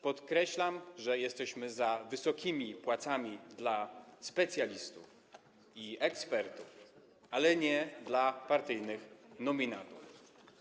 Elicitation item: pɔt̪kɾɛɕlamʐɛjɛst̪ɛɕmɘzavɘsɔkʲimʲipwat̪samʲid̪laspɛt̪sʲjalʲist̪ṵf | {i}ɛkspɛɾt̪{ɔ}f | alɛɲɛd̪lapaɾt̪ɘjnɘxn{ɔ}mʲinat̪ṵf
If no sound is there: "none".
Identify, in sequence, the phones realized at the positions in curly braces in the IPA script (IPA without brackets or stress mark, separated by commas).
i, u, ɔ